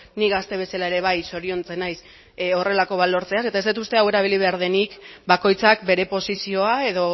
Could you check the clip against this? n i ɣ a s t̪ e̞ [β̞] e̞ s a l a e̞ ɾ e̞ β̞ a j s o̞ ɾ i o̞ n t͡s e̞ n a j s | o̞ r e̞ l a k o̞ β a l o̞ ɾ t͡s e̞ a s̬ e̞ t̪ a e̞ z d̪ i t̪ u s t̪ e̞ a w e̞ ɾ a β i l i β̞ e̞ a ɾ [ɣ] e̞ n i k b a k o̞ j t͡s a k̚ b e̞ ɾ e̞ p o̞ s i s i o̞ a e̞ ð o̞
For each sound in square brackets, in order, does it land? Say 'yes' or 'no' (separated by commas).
yes, no